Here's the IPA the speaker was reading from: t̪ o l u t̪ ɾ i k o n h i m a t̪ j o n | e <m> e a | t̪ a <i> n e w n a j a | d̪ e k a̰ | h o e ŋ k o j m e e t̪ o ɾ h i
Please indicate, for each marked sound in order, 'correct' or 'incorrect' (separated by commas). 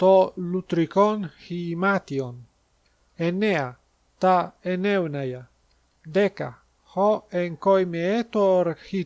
incorrect, incorrect